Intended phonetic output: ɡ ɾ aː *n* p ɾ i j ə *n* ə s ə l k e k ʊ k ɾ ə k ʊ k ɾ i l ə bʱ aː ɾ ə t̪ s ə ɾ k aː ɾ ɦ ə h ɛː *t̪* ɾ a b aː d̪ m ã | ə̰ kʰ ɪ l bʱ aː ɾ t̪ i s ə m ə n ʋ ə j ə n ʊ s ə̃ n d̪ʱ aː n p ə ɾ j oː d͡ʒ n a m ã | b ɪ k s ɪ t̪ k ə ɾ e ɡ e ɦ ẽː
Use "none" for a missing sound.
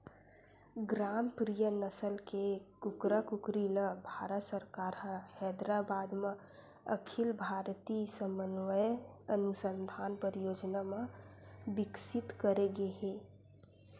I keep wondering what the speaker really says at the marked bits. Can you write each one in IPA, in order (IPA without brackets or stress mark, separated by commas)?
m, n, d̪